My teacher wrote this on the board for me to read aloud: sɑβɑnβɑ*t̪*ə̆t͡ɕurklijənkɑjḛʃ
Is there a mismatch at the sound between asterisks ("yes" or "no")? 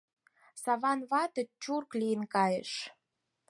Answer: no